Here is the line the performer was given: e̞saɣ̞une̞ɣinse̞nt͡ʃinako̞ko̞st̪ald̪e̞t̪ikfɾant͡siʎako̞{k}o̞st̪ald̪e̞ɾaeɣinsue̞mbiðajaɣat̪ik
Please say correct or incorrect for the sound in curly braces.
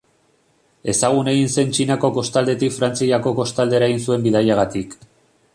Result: correct